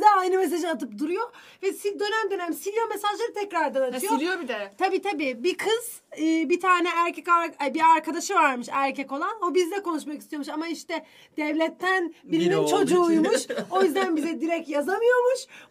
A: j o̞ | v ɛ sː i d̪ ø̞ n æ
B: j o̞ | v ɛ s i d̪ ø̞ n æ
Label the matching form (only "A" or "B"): B